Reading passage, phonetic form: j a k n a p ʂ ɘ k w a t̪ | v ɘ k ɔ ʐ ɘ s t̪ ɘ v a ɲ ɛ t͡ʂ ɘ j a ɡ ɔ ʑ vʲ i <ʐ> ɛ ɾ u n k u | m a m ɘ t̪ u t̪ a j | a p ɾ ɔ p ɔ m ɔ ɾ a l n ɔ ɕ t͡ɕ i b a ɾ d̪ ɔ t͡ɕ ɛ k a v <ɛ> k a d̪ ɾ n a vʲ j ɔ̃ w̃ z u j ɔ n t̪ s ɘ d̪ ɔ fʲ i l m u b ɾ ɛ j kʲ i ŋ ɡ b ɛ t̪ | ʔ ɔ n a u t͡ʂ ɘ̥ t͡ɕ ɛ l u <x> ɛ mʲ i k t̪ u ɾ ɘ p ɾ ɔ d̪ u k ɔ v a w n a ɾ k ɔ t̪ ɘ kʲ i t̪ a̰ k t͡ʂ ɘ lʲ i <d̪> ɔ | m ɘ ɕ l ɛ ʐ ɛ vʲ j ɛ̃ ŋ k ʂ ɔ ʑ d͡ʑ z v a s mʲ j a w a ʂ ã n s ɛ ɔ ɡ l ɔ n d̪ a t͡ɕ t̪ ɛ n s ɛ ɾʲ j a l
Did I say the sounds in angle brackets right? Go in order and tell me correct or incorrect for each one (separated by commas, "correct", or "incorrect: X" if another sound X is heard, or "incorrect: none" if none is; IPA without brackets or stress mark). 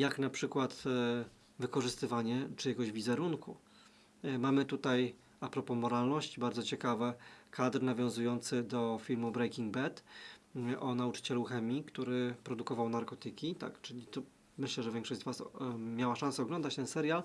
incorrect: z, correct, correct, incorrect: t̪